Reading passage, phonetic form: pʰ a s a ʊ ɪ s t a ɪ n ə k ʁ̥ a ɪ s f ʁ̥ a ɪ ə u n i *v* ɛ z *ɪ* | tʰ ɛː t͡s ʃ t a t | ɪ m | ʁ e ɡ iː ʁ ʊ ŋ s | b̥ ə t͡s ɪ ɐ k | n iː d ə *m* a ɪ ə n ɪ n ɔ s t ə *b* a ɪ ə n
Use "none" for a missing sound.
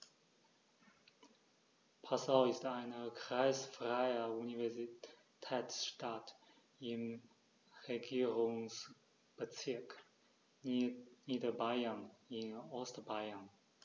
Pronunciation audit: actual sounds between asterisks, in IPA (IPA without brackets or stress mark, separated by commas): v, i, b, b